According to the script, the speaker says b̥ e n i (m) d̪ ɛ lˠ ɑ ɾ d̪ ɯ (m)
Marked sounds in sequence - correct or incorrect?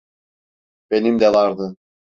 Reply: correct, incorrect

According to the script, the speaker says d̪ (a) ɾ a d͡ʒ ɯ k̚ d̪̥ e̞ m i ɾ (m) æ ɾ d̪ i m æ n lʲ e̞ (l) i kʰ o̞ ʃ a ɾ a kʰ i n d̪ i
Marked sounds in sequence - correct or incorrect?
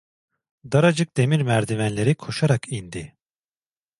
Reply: correct, correct, incorrect

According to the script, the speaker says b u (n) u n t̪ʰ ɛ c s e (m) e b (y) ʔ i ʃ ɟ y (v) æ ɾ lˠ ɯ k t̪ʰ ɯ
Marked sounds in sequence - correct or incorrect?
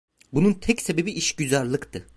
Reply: correct, incorrect, incorrect, incorrect

